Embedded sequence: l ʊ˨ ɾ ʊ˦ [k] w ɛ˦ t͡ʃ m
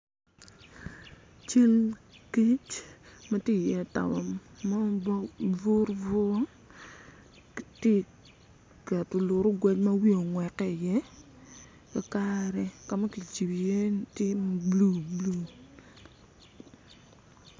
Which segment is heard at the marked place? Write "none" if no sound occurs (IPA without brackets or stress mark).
ɡ